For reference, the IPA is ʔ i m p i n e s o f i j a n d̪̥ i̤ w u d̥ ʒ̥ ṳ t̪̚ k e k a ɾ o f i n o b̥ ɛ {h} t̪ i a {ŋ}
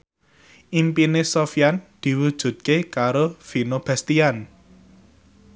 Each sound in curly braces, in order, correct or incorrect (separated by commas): incorrect, incorrect